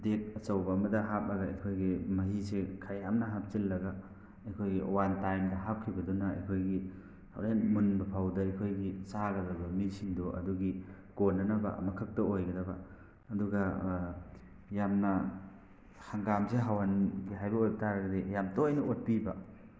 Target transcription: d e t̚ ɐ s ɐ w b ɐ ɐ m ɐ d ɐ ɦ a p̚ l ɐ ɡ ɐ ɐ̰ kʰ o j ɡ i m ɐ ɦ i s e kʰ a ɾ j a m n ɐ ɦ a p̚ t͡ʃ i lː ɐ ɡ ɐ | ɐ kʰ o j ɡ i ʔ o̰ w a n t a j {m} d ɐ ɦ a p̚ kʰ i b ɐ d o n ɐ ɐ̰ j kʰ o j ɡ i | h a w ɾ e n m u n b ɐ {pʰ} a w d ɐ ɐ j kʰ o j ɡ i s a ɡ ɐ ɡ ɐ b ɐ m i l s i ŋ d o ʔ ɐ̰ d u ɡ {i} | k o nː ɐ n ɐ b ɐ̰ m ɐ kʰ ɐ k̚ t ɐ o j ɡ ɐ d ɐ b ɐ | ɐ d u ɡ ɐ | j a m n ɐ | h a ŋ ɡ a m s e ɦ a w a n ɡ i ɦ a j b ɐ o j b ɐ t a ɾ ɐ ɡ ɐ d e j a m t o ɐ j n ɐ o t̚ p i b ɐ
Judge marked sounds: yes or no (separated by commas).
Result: yes, yes, yes